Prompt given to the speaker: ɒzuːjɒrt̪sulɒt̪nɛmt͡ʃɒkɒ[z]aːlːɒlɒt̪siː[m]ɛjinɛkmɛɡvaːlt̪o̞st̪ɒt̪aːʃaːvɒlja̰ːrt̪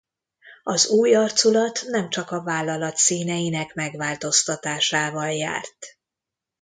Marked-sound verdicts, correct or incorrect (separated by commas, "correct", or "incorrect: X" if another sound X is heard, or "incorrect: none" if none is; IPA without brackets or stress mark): incorrect: v, incorrect: n